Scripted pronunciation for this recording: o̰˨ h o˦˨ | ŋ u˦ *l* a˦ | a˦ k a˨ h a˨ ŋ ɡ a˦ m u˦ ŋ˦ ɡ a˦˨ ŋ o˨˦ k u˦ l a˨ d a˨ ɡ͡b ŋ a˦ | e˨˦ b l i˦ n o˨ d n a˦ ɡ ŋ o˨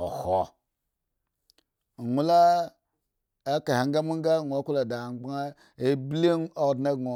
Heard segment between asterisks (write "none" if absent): l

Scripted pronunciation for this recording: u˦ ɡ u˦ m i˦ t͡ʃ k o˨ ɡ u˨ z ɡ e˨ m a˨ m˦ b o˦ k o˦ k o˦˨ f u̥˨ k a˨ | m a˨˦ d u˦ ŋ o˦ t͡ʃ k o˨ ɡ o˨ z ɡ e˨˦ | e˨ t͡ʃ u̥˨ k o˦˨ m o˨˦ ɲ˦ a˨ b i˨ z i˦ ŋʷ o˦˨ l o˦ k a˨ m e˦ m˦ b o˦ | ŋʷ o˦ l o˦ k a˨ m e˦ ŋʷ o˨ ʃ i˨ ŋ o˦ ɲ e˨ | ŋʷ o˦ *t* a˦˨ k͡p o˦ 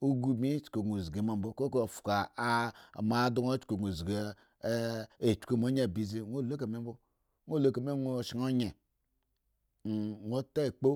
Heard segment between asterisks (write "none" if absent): t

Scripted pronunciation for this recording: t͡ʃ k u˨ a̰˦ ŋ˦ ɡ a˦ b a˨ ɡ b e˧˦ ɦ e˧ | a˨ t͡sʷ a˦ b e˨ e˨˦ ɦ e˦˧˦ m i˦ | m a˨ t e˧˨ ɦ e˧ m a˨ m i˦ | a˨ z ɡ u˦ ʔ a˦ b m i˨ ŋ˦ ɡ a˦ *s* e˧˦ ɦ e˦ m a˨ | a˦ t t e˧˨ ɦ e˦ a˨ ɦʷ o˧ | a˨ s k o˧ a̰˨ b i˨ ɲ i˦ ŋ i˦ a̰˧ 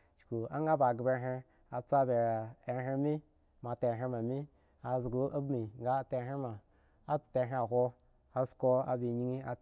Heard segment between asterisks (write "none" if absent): t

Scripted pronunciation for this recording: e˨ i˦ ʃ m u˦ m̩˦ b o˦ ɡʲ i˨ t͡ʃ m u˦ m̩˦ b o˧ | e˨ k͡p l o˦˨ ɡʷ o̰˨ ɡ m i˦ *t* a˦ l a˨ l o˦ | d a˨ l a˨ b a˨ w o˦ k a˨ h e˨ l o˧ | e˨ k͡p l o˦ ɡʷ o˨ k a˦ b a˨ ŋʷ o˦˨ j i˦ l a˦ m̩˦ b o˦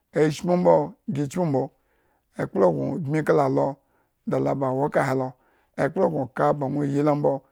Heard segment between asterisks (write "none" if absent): k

